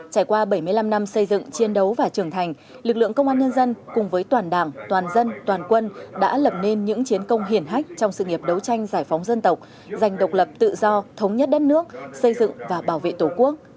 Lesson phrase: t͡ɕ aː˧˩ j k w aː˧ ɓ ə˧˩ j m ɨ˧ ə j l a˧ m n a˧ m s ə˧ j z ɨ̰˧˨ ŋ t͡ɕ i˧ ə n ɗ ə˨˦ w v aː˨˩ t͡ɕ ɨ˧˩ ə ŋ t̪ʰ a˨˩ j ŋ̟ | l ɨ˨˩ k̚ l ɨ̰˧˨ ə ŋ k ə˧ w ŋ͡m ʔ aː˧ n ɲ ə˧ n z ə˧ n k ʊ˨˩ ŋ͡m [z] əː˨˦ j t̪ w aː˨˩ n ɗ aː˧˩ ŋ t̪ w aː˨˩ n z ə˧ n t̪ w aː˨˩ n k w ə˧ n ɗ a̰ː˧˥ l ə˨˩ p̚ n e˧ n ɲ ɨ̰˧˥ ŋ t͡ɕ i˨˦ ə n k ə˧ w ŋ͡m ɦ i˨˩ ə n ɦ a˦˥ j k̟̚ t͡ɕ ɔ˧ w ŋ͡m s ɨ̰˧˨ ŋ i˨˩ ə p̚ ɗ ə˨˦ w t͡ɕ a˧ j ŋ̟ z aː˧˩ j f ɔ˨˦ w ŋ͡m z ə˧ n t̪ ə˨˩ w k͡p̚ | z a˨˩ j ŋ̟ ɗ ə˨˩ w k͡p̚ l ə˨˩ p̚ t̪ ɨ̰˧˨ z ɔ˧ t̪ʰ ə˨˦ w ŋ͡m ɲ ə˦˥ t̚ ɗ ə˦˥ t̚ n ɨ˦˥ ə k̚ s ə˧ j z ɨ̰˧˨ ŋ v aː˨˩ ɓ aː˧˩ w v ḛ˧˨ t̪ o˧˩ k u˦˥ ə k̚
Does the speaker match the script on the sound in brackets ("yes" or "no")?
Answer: no